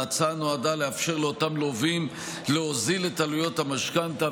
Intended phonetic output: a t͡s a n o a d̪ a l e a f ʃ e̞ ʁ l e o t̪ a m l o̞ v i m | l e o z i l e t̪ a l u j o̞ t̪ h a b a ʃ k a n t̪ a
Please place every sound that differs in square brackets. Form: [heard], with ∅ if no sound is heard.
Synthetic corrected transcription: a t͡s a n o a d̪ a l e a f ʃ e̞ ʁ l e o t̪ a m l o̞ v i m | l e o z i l e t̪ a l u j o̞ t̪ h a [m] a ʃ k a n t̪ a